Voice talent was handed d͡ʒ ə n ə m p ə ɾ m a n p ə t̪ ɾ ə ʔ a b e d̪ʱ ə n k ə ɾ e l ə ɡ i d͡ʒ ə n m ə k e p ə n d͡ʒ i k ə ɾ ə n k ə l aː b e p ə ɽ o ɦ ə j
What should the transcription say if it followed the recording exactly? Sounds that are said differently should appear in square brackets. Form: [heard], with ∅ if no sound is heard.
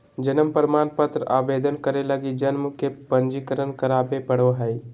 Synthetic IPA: d͡ʒ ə n ə m p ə ɾ m a n p ə t̪ ɾ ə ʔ a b e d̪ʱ ə n k ə ɾ e l ə ɡ i d͡ʒ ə n m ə k e p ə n d͡ʒ i k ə ɾ ə n k ə [ɾ] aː b e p ə ɽ o ɦ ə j

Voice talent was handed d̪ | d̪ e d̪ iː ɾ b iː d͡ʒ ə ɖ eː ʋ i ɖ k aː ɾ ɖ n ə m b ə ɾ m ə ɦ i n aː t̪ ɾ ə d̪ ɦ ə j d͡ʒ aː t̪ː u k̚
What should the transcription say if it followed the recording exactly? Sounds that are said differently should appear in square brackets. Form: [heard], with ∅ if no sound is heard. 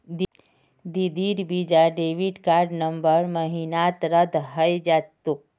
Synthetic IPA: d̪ | d̪ [i] d̪ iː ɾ b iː d͡ʒ [a] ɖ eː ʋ i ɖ k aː ɾ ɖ n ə m b ə ɾ m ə ɦ i n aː t̪ ɾ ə d̪ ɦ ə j d͡ʒ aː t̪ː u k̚

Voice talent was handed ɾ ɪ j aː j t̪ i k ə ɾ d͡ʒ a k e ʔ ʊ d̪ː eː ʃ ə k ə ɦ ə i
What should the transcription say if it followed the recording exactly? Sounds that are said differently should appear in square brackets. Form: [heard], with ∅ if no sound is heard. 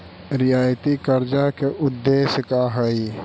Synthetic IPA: ɾ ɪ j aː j t̪ i k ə ɾ d͡ʒ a k e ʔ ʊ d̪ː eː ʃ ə k [a] ɦ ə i

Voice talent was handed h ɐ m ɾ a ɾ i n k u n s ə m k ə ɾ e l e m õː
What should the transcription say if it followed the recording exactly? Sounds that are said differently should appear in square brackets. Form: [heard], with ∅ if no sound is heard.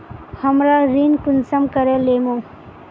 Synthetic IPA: h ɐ m ɾ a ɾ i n k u n s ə m k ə ɾ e l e m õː

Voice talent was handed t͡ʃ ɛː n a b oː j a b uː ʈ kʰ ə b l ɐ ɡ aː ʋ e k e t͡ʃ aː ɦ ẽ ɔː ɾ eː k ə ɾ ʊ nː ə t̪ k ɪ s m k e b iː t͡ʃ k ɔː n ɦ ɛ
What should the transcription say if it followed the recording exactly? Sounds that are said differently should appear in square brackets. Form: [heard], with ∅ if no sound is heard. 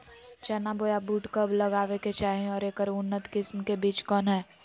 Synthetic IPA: t͡ʃ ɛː n a b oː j a b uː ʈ [k] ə b l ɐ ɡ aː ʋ e k e t͡ʃ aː ɦ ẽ ɔː ɾ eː k ə ɾ ʊ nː ə t̪ k ɪ s m k e b iː t͡ʃ k ɔː n ɦ [ɛː]

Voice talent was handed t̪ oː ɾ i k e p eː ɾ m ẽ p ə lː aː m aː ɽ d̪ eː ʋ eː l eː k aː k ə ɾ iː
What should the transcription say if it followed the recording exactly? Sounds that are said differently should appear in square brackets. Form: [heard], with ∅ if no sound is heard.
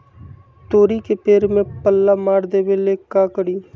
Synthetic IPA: t̪ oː ɾ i k e p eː ɾ m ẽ p ə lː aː m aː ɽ d̪ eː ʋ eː l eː k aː k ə [ɽ] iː

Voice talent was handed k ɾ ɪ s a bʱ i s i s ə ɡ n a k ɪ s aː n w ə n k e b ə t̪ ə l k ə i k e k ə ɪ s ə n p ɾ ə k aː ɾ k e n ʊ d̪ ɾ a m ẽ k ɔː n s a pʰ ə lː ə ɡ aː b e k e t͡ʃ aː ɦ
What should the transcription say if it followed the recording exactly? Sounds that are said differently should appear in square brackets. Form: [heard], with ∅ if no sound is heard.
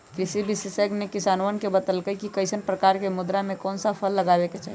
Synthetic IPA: k ɾ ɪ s [i] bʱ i s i s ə ɡ n [e] k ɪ s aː n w ə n k e b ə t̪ ə l k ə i k [i] k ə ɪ s ə n p ɾ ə k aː ɾ k e [m] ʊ d̪ ɾ a m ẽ k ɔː n s a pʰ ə lː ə ɡ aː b e k e t͡ʃ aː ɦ

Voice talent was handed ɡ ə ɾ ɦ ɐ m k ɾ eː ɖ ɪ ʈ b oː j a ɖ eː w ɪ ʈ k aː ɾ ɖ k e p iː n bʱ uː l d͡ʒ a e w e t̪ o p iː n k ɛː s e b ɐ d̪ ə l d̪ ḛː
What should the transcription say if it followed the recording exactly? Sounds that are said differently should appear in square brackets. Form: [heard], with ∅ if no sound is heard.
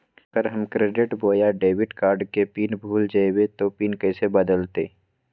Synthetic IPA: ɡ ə ɾ ɦ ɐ m k ɾ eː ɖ ɪ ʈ b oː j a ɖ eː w ɪ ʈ k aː ɾ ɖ k e p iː n bʱ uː l d͡ʒ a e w e t̪ o p iː n k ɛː s e b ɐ d̪ ə l [t̪] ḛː

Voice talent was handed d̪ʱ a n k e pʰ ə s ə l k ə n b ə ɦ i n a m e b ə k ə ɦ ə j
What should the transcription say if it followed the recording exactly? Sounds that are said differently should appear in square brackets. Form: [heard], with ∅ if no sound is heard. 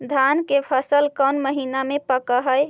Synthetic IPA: d̪ʱ a n k e pʰ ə s ə l k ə n [m] ə ɦ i n a m e [p] ə k ə ɦ ə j

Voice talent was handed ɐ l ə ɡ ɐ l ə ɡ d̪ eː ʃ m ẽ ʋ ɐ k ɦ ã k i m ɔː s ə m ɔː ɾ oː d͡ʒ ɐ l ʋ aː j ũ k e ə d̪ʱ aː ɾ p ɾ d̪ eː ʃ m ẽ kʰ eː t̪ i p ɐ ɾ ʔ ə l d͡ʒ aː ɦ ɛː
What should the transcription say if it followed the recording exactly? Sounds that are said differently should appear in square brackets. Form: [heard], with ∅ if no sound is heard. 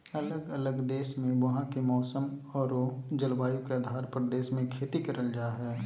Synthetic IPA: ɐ l ə ɡ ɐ l ə ɡ d̪ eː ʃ m ẽ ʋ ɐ [∅] ɦ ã k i m ɔː s ə m ɔː ɾ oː d͡ʒ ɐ l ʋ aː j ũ k e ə d̪ʱ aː ɾ p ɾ d̪ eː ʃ m ẽ kʰ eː t̪ i [k] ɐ ɾ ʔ ə l d͡ʒ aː ɦ ɛː

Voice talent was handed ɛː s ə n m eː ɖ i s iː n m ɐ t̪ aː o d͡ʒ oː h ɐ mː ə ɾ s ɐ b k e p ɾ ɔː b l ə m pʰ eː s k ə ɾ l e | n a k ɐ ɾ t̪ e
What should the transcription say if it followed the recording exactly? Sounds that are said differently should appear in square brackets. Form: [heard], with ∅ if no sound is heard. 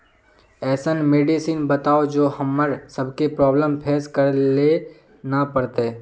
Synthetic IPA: ɛː s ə n m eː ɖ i s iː n [b] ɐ t̪ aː o d͡ʒ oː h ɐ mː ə ɾ s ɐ b k e p ɾ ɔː b l ə m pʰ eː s k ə ɾ l e | n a [p] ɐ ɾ t̪ e

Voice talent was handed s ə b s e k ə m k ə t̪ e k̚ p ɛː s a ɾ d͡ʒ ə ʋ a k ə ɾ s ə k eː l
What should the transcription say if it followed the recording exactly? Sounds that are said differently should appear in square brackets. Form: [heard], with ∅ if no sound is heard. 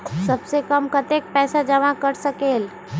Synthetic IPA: s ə b s e k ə m k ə t̪ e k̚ p ɛː s a [∅] d͡ʒ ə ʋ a k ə ɾ s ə k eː l

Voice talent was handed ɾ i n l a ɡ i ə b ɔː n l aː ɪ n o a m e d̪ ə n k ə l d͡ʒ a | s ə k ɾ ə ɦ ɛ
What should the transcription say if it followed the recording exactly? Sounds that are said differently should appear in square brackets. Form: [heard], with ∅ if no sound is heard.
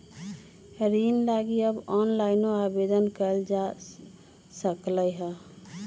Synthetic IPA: ɾ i n l a ɡ i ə b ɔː n l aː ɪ n o a [b] e d̪ ə n k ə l d͡ʒ a | s ə k [l] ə ɦ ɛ

